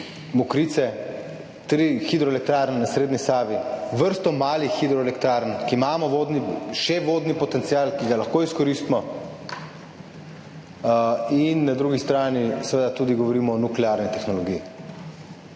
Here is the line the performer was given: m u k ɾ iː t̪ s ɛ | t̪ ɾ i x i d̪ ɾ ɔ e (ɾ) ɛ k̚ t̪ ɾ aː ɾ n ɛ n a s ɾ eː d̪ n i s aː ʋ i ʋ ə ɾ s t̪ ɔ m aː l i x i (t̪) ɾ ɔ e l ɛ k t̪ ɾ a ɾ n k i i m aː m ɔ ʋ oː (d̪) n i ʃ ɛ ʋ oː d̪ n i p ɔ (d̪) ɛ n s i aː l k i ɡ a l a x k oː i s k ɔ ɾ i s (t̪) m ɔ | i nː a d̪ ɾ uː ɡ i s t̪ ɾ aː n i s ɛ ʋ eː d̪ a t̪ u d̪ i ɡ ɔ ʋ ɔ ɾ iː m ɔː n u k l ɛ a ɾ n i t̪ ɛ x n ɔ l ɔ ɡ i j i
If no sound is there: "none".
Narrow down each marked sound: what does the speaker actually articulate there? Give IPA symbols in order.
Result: l, d̪, d̪, t̪, t̪

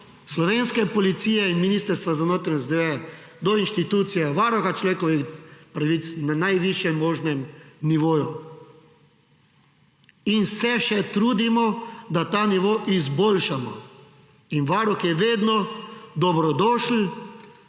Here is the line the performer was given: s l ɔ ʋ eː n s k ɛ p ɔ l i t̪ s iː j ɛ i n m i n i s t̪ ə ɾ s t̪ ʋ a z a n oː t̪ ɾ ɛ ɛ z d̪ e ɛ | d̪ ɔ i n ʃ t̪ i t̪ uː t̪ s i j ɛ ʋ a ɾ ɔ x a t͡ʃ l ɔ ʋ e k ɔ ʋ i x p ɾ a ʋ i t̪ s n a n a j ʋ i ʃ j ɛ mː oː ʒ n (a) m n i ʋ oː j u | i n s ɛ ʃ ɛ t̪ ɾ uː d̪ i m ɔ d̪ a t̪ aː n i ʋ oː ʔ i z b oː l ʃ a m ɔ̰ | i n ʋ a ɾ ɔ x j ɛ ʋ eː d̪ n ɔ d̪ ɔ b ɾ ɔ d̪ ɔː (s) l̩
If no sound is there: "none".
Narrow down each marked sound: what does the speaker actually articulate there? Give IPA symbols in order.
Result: ɛ, ʃ

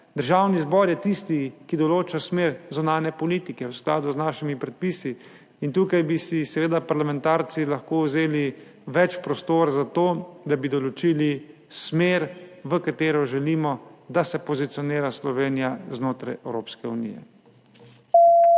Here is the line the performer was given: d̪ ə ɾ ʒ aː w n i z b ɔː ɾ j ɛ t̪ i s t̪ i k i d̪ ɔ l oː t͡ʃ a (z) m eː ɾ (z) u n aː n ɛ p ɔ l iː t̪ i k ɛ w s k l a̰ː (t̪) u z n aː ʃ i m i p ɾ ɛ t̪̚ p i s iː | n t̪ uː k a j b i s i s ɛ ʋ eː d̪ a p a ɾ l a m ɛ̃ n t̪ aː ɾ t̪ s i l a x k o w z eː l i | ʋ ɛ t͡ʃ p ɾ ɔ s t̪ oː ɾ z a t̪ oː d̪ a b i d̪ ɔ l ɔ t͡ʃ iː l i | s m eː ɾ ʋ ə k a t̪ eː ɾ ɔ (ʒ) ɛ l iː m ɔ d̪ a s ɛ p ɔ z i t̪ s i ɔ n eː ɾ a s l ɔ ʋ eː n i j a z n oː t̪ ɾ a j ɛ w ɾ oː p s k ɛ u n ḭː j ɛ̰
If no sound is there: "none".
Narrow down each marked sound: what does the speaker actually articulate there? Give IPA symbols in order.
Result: s, z, d̪, ʒ

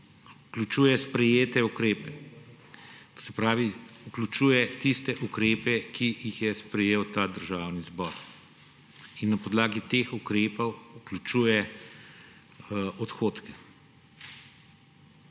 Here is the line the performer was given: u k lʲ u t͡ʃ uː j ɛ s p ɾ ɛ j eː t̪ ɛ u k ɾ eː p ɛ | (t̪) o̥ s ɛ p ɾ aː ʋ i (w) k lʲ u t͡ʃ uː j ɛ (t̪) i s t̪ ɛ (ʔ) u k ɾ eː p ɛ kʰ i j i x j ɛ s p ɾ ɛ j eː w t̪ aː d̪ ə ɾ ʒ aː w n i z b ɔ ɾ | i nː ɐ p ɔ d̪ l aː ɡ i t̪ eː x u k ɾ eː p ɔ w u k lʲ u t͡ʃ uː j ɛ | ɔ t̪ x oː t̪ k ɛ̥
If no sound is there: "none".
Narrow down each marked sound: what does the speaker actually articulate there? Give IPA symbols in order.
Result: t̪, u, t̪, ʔ

